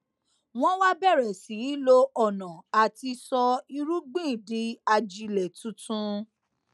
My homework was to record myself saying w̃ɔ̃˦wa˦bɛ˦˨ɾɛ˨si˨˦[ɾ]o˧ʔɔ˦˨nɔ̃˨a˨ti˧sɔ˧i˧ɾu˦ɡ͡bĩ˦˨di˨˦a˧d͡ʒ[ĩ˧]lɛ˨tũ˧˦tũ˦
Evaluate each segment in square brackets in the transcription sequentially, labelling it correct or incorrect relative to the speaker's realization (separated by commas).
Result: incorrect, incorrect